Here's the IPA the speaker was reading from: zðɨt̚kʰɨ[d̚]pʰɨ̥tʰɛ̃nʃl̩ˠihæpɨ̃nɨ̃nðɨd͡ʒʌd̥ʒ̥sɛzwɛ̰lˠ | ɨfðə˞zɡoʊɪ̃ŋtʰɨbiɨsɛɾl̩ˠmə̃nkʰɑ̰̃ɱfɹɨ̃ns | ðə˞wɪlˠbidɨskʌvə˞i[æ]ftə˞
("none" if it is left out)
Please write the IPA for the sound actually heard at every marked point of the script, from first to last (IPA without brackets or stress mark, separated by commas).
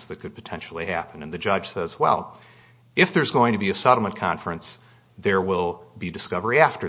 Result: d̚, æ